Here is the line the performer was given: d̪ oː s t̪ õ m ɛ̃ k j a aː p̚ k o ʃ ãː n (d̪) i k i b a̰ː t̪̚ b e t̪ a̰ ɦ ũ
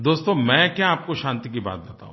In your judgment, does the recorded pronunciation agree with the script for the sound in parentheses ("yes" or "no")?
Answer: no